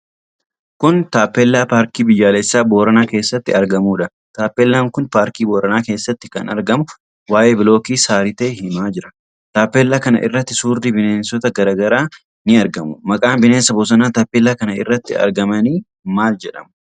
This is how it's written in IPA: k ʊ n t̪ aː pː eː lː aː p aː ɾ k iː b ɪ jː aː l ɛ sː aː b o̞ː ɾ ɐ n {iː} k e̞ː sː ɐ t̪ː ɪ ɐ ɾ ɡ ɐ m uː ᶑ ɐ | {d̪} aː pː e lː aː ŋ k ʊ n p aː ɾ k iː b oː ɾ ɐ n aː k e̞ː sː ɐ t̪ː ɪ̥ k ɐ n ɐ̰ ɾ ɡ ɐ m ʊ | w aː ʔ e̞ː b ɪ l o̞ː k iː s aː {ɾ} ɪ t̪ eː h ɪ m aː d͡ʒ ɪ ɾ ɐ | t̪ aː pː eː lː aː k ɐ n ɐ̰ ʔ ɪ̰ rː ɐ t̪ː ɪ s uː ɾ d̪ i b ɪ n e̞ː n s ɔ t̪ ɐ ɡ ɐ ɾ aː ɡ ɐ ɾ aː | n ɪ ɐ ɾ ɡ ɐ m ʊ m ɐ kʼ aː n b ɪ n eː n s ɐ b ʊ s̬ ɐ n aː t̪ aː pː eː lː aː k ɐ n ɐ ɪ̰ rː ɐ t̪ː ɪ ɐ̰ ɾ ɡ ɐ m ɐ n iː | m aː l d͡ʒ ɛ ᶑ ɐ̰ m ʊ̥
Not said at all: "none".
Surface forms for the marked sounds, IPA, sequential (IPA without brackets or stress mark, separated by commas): aː, t̪, ɾ